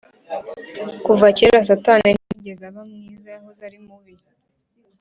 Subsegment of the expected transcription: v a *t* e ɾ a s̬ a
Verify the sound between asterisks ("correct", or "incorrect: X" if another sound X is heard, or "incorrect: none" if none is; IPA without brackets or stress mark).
incorrect: c